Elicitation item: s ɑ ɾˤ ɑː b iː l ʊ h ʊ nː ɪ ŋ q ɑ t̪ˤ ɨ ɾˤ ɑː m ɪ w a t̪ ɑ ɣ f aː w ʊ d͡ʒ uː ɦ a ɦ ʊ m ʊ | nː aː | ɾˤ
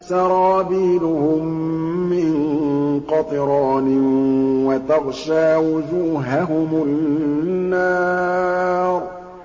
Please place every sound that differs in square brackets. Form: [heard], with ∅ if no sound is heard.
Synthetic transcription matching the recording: s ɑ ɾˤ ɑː b iː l ʊ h ʊ [mː] ɪ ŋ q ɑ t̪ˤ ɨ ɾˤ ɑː [n] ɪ w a t̪ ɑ ɣ [ʃ] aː w ʊ d͡ʒ uː ɦ a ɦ ʊ m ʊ | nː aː | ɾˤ